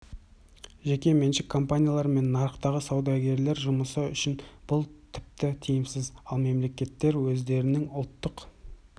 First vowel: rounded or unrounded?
unrounded